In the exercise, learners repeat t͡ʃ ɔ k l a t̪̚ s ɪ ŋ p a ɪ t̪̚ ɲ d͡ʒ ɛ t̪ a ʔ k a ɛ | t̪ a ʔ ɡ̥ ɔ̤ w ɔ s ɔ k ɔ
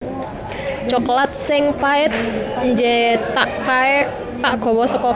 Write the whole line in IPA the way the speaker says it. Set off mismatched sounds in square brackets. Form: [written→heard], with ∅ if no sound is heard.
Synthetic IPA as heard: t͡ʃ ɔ k l a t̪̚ s ɪ ŋ p a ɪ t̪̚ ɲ d͡ʒ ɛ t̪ a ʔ k a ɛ | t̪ a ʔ ɡ̥ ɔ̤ w ɔ s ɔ k ɔ

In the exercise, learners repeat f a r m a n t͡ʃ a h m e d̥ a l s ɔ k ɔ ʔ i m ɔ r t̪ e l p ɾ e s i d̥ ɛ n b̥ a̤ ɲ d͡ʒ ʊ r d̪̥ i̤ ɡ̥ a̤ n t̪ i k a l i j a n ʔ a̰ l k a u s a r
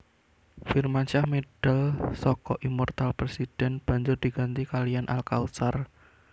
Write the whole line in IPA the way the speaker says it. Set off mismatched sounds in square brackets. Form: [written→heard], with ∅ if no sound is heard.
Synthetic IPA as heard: f [a→i] r m a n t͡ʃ a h m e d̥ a l s ɔ k ɔ ʔ i m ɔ r t̪ [e→a] l p ɾ e s i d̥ ɛ n b̥ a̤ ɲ d͡ʒ ʊ r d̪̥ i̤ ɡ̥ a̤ n t̪ i k a l i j a n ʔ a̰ l k a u s a r

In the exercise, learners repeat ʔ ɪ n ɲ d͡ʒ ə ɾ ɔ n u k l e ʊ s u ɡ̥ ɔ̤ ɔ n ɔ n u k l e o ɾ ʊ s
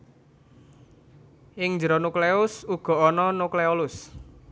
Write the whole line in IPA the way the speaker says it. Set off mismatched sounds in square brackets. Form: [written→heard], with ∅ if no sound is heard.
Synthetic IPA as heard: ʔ ɪ [n→ŋ] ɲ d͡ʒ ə ɾ ɔ n u k l e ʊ s u ɡ̥ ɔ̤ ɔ n ɔ n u k l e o [ɾ→l] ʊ s

